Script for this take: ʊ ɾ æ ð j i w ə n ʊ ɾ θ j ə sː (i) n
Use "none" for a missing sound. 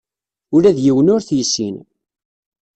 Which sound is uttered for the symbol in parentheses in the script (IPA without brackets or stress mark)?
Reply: i